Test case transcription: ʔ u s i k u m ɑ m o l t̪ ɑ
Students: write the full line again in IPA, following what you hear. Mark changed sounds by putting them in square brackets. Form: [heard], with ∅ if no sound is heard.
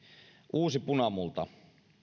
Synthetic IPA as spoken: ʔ [uː] s i [p] u [n] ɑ m [u] l t̪ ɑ